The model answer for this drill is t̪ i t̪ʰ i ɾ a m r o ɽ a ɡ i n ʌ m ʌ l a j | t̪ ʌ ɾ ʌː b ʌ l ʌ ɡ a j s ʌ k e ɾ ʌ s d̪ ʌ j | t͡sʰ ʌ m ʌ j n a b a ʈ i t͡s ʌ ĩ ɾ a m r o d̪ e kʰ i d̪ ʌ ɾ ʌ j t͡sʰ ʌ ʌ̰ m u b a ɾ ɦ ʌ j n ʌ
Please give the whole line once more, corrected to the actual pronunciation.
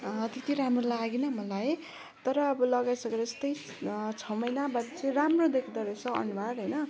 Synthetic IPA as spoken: t̪ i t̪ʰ i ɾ a m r o l a ɡ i n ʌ m ʌ l a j | t̪ ʌ ɾ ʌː b ʌ l ʌ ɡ a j s ʌ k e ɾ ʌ s t̪ ʌ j | t͡sʰ ʌ m ʌ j n a b a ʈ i t͡s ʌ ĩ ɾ a m r o d̪ e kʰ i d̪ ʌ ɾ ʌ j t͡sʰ ʌ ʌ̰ n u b a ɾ ɦ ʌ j n ʌ